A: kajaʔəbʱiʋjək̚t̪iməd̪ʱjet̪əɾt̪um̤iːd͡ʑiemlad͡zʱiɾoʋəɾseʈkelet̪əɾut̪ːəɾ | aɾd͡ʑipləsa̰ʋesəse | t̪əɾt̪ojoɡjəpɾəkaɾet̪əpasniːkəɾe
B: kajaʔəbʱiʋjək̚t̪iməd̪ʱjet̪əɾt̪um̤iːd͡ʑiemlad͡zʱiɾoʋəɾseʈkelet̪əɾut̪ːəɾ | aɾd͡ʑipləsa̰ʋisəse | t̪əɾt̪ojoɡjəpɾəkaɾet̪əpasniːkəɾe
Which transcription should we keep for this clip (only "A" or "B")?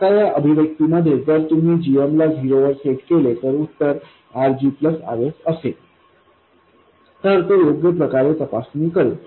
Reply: A